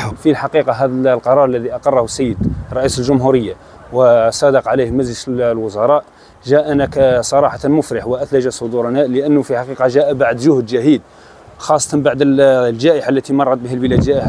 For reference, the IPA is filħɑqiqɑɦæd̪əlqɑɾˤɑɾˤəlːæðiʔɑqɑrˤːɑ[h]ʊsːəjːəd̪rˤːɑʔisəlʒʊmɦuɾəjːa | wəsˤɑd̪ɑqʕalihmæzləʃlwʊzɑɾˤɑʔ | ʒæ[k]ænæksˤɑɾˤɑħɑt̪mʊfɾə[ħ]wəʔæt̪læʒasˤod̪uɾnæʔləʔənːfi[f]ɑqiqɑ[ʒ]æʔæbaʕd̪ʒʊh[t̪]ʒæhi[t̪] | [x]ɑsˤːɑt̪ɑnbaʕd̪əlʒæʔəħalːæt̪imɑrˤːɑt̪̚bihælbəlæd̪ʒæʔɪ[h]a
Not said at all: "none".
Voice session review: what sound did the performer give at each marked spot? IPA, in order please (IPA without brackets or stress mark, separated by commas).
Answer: h, ʔ, ħ, ħ, ʒ, d̪, d̪, x, ħ